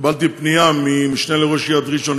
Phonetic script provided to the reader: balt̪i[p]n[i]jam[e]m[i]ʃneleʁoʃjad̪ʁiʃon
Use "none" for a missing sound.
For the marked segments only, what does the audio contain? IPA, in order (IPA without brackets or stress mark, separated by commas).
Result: p, i, i, i